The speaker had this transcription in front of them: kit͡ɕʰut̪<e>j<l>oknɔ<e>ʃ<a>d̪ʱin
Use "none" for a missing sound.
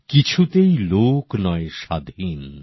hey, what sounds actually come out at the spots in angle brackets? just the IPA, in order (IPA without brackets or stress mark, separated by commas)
e, l, e, a